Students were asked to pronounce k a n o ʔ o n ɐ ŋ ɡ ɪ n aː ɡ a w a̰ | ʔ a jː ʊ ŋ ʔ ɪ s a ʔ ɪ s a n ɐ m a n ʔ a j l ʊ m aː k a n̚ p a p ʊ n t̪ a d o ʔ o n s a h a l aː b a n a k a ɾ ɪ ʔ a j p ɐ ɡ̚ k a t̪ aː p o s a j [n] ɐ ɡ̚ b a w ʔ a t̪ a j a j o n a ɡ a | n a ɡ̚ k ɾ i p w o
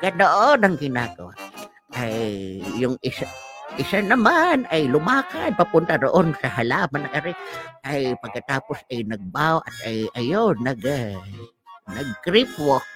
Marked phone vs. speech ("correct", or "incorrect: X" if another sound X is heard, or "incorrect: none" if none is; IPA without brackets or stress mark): correct